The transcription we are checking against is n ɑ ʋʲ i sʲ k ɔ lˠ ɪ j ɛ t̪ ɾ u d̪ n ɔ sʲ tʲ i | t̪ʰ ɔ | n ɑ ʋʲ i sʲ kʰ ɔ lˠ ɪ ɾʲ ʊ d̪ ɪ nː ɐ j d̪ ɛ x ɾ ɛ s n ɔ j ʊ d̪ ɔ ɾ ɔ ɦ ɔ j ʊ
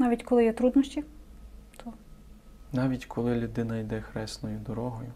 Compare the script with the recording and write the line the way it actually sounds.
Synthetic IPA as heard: n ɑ ʋʲ i tʲ k ɔ lˠ ɪ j ɛ t̪ ɾ u d̪ n ɔ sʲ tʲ i | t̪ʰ ɔ | n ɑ ʋʲ i tʲ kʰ ɔ lˠ ɪ lʲ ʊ d̪ ɪ n ɐ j d̪ ɛ x ɾ ɛ s n ɔ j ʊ d̪ ɔ ɾ ɔ ɦ ɔ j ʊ